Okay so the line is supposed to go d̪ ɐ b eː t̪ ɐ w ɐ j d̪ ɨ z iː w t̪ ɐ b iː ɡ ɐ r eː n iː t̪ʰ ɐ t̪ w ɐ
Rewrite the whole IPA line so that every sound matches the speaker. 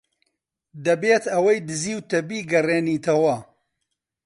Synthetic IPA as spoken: d̪ ɐ b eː t̪ ɐ w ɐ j d̪ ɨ z iː w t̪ ɐ b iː ɡ ɐ r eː n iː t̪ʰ ɐ w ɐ